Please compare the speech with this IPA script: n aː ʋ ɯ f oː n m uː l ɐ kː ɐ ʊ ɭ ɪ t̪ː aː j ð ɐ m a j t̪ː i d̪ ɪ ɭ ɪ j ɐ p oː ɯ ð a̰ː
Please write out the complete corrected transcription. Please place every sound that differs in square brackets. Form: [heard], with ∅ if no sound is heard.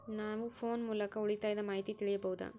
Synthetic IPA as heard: n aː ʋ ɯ f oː n m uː l ɐ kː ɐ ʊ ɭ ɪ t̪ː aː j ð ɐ m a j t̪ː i [t̪] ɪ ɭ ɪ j ɐ p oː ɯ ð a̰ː